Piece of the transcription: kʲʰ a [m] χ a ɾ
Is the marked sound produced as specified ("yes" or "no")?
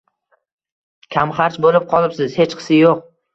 yes